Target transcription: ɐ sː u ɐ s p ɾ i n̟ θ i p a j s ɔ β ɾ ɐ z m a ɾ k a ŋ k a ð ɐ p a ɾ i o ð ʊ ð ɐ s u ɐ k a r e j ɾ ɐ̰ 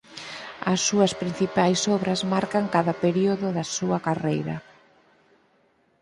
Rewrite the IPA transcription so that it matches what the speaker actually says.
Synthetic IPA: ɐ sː u ɐ s p ɾ i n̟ θ i p a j s ɔ β ɾ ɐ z m a ɾ k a ŋ k a ð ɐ p e ɾ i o ð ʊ ð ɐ s u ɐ k a r e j ɾ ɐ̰